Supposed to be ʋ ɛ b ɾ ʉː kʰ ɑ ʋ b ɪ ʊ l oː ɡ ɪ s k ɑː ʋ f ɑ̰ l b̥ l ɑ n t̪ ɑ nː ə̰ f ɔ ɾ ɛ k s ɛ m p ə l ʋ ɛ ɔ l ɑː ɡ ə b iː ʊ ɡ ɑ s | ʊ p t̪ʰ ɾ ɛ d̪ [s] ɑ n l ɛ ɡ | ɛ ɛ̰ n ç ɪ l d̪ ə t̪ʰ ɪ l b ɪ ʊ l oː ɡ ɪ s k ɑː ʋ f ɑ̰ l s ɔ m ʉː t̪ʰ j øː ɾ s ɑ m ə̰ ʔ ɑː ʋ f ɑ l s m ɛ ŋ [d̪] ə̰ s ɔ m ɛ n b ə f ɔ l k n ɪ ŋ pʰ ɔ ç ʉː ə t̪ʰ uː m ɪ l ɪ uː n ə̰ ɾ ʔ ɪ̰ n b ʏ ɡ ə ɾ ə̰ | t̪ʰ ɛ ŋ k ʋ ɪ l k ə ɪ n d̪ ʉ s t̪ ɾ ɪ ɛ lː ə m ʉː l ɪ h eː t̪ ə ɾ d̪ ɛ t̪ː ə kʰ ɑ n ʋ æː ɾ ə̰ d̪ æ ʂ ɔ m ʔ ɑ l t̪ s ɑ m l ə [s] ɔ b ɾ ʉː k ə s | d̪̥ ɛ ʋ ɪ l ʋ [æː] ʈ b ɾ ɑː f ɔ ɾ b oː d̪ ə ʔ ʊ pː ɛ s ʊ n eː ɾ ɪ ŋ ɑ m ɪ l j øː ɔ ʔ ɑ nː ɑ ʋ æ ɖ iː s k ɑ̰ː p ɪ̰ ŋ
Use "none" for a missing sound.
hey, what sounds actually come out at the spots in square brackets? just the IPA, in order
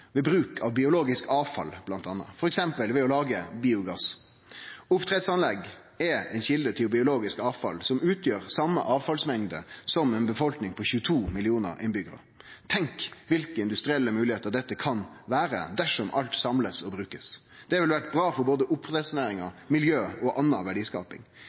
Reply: s, d̪, s, æ

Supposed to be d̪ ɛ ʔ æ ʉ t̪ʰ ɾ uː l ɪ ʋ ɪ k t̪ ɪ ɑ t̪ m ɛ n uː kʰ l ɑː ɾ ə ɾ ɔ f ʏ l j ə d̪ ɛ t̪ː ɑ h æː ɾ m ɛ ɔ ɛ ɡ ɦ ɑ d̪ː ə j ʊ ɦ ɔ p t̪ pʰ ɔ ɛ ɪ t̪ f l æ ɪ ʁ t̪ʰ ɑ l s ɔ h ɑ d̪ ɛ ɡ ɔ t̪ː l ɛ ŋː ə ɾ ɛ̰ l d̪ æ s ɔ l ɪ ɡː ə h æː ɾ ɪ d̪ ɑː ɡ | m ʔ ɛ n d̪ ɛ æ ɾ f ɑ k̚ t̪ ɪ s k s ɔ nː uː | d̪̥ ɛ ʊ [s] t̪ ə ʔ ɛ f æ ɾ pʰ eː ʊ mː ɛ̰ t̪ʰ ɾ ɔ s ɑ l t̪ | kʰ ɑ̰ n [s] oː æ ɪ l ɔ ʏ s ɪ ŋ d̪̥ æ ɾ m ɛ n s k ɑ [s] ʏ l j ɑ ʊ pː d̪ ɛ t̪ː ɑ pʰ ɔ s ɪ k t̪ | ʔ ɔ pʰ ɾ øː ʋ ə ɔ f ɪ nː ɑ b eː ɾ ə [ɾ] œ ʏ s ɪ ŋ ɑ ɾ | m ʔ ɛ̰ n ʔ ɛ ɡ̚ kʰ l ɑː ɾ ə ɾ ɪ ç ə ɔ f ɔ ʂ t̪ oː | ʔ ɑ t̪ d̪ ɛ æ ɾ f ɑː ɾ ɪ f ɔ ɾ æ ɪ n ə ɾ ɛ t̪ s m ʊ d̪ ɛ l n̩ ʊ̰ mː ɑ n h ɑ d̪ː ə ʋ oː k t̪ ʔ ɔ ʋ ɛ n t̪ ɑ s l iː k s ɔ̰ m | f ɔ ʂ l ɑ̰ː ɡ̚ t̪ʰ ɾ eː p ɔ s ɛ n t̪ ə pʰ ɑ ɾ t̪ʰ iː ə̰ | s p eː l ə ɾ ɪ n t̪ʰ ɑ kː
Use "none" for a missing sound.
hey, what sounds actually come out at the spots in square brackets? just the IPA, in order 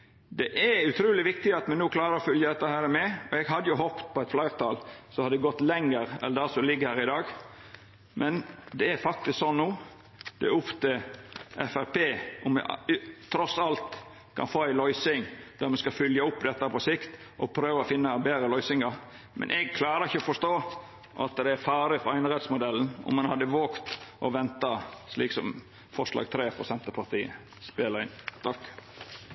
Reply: f, f, f, l

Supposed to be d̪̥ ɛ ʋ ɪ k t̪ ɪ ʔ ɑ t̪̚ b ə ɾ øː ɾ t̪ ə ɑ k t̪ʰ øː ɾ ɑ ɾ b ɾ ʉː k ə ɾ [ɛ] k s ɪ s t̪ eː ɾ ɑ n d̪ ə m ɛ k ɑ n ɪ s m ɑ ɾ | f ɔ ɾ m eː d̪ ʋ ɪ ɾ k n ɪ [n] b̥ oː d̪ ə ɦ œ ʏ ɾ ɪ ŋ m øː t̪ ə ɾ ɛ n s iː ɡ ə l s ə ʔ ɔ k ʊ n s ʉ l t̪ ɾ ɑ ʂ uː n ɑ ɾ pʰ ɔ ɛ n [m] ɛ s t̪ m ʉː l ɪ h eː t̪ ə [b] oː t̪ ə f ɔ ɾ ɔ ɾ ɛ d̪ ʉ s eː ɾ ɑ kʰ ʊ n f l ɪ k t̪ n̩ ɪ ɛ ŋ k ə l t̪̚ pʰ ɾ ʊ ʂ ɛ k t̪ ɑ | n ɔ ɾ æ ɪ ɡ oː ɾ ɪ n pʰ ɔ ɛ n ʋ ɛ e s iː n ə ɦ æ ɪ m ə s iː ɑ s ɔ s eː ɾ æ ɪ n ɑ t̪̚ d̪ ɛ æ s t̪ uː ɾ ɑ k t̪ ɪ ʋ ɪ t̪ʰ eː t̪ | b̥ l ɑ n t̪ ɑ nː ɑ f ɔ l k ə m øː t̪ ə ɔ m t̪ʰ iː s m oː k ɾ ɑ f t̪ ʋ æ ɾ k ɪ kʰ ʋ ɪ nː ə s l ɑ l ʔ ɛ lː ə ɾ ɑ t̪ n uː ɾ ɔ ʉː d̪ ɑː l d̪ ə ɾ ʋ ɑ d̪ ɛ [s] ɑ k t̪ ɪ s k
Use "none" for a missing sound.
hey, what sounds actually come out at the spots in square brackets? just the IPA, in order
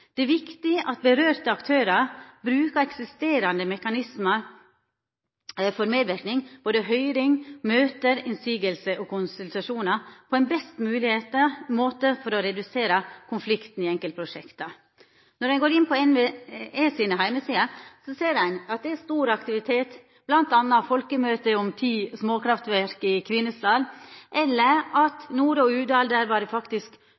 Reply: ɛ, ŋ, b, m, f

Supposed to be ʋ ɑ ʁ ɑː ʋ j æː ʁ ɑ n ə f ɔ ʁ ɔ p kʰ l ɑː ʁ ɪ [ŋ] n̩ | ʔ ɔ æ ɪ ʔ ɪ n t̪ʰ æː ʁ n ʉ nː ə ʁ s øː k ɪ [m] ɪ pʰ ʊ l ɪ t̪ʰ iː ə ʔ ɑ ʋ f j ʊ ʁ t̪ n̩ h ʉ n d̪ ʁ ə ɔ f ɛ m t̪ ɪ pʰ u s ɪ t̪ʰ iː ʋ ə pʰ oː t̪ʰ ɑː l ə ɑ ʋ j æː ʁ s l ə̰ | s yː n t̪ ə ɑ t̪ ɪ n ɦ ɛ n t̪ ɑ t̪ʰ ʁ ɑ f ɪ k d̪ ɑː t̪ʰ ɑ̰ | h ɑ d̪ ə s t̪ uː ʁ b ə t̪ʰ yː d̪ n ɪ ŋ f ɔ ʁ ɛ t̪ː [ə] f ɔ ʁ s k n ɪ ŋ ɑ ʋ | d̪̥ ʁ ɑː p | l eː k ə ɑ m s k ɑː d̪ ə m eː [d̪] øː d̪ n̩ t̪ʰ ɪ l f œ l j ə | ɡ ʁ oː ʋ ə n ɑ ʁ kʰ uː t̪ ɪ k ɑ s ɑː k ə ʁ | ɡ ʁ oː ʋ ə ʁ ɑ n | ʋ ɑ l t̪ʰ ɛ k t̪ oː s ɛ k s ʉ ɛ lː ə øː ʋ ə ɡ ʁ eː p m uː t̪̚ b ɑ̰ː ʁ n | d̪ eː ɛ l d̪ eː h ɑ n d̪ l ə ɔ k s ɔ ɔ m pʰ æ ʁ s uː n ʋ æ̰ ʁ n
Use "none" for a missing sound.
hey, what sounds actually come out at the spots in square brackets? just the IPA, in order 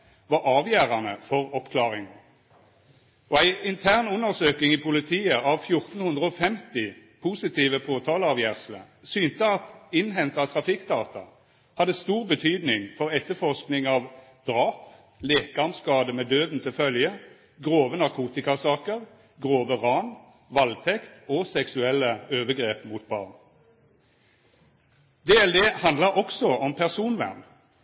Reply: ŋ, ŋ, ə, d̪

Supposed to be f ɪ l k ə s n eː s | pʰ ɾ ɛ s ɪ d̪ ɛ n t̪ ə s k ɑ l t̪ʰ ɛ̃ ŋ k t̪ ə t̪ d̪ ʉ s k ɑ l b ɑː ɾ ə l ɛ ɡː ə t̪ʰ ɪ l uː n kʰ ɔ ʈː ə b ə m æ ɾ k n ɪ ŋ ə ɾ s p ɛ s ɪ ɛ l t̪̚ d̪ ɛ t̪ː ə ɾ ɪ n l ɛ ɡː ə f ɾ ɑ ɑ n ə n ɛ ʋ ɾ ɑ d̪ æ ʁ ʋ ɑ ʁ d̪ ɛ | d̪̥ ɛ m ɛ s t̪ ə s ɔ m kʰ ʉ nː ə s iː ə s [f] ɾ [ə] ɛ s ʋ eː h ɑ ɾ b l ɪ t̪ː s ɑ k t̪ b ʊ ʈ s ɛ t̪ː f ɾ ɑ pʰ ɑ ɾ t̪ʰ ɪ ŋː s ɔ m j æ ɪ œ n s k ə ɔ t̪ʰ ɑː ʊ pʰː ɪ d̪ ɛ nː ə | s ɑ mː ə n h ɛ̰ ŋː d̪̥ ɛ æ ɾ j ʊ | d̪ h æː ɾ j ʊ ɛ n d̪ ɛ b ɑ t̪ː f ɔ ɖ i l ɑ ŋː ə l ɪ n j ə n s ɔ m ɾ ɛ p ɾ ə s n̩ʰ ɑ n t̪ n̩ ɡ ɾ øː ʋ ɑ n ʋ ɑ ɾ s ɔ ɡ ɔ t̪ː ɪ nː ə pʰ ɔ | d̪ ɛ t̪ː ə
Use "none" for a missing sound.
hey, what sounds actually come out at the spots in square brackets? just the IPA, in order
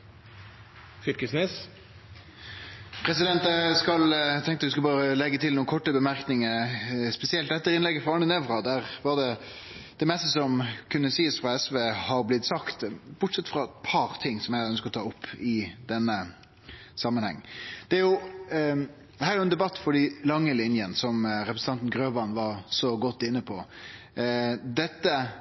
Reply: f, ɑ

